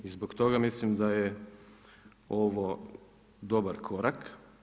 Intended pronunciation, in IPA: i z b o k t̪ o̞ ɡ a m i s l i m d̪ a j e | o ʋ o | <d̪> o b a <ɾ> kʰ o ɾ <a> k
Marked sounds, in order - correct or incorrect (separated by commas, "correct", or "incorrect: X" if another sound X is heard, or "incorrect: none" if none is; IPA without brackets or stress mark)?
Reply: correct, correct, correct